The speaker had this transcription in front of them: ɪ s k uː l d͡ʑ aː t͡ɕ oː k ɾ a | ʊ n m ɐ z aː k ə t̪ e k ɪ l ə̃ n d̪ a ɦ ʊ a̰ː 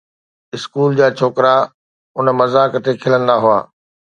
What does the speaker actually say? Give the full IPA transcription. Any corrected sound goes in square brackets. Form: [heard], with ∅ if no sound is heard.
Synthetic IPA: ɪ s k uː l d͡ʑ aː [t͡ɕʰ] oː k ɾ a | ʊ n m ɐ z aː k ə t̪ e [kʰ] ɪ l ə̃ n d̪ a ɦ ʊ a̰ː